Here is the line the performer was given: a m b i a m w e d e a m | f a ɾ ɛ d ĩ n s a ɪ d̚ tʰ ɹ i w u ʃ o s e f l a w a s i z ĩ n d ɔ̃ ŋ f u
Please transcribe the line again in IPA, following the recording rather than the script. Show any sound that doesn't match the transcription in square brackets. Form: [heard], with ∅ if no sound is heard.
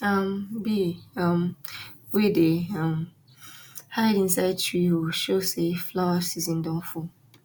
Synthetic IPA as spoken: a m b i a m w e d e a m | [h] a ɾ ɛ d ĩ n s a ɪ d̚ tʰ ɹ i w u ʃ o s e f l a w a s i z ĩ n d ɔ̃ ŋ f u

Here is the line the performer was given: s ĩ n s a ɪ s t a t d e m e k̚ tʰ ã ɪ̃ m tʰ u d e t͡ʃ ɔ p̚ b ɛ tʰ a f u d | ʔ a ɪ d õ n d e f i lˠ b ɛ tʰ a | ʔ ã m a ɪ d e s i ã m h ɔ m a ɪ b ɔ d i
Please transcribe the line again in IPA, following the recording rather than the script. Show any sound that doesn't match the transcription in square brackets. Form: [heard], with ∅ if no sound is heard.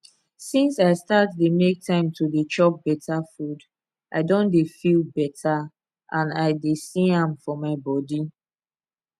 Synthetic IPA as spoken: s ĩ n s a ɪ s t a t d e m e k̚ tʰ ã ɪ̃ m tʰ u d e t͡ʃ ɔ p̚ b ɛ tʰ a f u d | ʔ a ɪ d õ n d e f i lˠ b ɛ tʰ a | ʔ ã [n] a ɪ d e s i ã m [f] ɔ m a ɪ b ɔ d i

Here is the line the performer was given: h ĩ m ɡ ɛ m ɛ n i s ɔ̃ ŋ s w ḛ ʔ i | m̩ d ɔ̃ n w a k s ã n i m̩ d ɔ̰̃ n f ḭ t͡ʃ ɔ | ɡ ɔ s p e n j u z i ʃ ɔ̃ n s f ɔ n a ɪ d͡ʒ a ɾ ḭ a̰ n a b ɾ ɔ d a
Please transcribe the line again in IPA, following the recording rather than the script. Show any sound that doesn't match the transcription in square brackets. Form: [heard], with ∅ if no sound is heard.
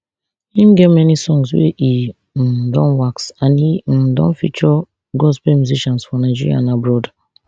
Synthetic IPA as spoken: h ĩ m ɡ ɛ m ɛ n i s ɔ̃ ŋ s w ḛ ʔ i | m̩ d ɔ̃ n w a k s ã n i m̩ d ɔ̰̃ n f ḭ t͡ʃ ɔ | ɡ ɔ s p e [m] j u z i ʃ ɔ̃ n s f ɔ n a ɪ d͡ʒ [i] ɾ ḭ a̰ n a b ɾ ɔ d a

